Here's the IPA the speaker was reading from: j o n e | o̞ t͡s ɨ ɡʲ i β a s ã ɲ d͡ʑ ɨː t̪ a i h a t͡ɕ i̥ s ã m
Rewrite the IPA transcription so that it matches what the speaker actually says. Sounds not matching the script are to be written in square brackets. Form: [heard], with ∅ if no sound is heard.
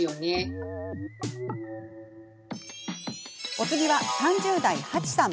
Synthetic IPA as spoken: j o n e | o̞ t͡s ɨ ɡʲ i β a s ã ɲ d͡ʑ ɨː [d̪] a i h a t͡ɕ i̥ s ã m